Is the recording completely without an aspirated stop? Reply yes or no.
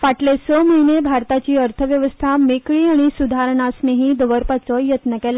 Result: no